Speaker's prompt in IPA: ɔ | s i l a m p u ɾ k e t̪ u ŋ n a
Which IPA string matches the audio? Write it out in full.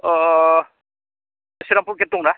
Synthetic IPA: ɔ | s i ɾ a m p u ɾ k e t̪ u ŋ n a